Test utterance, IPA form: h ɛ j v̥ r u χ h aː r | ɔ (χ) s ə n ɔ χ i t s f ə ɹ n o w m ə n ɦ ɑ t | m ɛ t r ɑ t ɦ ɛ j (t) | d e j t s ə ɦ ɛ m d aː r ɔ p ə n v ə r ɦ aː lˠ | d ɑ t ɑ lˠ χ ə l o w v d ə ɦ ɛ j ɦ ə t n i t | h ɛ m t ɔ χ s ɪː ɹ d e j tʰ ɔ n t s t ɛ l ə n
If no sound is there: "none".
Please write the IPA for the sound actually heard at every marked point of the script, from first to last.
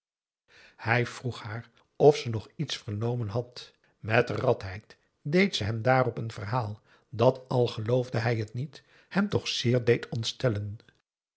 f, t

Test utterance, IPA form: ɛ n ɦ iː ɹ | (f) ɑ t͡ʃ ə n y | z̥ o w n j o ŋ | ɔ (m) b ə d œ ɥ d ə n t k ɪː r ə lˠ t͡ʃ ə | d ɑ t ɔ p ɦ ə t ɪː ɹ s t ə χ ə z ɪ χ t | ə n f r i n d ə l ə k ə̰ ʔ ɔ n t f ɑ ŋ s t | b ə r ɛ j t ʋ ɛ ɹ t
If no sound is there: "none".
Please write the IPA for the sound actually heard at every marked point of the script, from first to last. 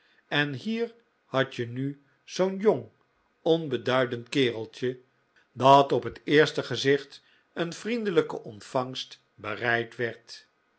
h, n

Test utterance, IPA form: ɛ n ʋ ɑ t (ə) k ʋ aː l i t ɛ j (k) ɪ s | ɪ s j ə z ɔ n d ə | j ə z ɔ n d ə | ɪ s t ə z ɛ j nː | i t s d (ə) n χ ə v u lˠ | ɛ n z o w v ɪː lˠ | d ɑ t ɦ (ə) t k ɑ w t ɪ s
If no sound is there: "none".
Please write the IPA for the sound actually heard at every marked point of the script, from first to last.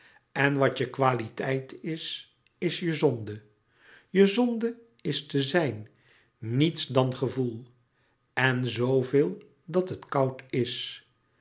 ə, t, ɑ, ə

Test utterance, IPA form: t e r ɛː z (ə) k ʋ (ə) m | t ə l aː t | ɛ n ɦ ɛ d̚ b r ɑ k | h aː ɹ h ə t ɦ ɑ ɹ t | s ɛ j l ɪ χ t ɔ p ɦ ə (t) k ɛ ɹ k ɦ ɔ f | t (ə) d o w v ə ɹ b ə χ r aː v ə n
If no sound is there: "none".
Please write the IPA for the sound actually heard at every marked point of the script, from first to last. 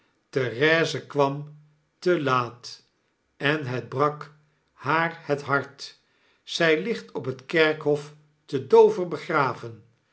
ə, ɑ, t, ə

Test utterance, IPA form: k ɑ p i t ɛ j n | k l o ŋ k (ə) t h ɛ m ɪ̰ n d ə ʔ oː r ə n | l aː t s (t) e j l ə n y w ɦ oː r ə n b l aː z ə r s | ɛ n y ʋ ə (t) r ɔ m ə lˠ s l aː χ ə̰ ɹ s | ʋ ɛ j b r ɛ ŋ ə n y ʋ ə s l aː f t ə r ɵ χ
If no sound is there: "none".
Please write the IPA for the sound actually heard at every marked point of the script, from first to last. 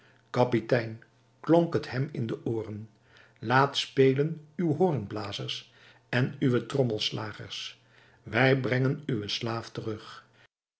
ə, p, t

